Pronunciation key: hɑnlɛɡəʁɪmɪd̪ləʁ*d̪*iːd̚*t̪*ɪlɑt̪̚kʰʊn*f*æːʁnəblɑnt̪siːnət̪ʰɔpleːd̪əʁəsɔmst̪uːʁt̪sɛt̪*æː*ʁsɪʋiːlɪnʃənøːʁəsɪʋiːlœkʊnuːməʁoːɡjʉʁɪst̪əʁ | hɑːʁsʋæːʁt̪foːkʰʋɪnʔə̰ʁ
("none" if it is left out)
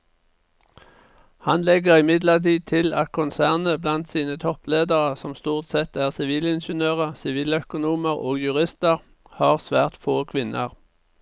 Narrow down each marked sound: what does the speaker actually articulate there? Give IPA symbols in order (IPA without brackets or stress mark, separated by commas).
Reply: t̪, t̪ʰ, s, æː